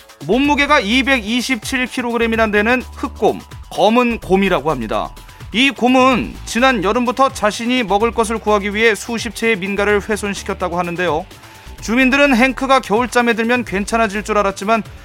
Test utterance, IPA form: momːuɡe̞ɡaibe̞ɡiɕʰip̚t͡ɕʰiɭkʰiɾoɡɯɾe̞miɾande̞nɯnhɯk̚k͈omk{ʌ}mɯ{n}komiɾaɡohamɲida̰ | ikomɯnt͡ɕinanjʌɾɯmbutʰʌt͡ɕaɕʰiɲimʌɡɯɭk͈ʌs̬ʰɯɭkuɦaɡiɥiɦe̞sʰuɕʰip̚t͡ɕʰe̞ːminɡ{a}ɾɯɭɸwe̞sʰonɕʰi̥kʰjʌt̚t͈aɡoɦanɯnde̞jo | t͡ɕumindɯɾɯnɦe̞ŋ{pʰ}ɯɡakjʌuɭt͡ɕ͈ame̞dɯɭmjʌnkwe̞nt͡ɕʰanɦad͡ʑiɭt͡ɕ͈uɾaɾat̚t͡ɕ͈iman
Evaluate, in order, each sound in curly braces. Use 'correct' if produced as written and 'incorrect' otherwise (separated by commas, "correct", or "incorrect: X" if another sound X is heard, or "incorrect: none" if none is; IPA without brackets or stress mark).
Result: correct, correct, correct, incorrect: kʰ